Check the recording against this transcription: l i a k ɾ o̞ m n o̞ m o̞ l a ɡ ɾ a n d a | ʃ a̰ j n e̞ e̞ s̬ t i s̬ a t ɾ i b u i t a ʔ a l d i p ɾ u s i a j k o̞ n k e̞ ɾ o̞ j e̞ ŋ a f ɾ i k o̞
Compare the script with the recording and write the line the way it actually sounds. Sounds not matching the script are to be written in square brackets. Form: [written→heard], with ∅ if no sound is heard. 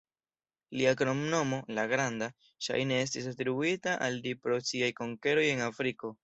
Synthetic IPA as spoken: l i a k ɾ o̞ m n o̞ m o̞ l a ɡ ɾ a n d a | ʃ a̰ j n e̞ e̞ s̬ t i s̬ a t ɾ i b u i t a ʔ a l d i p ɾ [u→o] s i a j k o̞ [n→ŋ] k e̞ ɾ o̞ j e̞ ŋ a f ɾ i k o̞